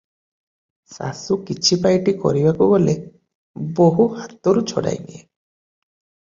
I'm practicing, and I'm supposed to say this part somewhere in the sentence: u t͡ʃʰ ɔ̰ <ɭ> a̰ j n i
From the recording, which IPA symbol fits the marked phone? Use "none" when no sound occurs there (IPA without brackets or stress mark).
ɽ